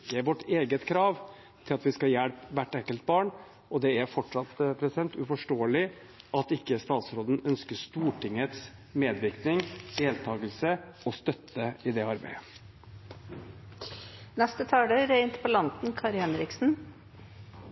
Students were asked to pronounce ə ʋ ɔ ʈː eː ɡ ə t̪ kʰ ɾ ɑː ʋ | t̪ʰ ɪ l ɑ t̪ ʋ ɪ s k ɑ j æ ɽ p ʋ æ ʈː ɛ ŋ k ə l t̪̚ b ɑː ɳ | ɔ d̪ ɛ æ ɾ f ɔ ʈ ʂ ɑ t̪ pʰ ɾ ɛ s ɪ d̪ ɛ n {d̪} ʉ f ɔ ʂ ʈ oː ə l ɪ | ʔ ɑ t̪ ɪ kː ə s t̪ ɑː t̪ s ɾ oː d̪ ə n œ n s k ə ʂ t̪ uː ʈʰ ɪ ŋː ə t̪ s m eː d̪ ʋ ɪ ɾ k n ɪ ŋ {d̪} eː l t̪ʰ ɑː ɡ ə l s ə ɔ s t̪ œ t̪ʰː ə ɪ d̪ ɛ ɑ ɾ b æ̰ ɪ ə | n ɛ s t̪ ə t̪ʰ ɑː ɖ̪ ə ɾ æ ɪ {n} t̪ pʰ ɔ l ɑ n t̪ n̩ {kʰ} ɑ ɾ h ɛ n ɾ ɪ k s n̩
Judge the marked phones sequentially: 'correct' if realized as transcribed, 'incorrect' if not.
incorrect: t̪, correct, correct, correct

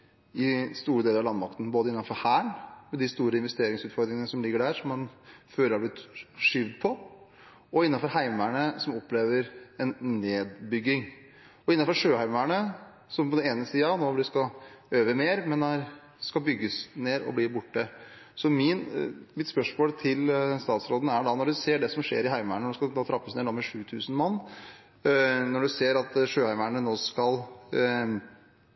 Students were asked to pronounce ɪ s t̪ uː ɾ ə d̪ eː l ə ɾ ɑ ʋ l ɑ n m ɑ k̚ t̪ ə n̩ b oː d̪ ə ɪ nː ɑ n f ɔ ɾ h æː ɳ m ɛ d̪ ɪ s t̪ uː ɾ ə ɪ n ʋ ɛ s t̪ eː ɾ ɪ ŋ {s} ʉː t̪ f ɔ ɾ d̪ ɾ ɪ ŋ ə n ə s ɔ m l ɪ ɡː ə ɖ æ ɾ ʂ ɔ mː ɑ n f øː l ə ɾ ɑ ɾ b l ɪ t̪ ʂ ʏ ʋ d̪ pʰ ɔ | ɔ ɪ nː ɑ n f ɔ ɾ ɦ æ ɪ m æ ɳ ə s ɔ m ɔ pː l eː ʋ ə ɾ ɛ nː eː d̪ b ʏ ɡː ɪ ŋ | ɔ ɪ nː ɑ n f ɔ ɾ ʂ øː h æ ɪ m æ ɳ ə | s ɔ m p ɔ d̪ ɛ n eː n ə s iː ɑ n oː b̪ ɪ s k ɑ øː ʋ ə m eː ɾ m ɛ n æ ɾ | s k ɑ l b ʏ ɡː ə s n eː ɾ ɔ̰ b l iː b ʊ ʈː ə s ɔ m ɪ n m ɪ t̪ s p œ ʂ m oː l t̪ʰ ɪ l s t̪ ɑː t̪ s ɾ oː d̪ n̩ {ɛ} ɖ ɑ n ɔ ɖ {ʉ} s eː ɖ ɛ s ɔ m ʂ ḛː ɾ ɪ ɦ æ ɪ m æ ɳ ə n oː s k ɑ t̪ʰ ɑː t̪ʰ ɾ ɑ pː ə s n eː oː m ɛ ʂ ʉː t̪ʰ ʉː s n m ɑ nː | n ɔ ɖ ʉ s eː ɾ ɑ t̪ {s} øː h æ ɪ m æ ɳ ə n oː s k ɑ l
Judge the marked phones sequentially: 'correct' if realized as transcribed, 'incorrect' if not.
correct, incorrect: æ, correct, incorrect: ʂ

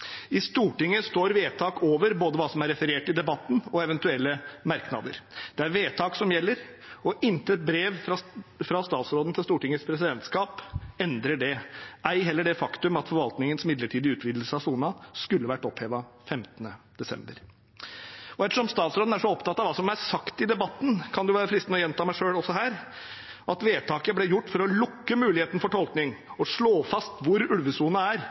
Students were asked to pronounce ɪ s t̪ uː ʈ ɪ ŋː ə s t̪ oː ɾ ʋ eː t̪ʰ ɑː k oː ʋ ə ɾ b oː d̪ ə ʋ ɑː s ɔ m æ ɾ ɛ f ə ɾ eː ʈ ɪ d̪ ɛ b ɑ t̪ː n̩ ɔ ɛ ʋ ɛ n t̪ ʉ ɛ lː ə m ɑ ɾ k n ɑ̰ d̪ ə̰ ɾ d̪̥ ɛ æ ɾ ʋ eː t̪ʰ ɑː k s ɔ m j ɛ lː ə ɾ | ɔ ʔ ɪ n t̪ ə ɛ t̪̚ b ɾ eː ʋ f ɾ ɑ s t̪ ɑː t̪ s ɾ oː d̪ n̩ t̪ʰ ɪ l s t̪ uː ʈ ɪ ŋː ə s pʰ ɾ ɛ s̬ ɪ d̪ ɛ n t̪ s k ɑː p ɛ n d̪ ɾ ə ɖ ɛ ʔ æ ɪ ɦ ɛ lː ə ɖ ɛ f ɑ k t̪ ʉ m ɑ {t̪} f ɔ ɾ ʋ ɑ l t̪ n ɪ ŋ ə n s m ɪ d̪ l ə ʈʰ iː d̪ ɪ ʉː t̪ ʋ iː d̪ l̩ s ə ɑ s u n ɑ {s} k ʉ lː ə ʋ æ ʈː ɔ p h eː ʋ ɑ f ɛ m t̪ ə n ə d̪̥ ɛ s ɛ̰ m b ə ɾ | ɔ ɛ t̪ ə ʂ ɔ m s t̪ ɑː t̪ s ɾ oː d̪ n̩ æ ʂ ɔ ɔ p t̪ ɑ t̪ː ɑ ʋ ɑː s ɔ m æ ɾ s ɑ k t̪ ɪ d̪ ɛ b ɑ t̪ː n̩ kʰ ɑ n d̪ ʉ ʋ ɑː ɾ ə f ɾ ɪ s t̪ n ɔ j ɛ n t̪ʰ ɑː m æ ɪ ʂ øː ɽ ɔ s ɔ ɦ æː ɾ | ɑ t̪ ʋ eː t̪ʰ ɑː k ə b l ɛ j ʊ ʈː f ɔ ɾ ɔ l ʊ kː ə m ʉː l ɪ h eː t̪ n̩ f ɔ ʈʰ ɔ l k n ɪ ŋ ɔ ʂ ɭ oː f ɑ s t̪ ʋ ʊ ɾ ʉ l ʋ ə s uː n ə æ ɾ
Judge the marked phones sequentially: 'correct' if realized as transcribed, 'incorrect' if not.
correct, correct

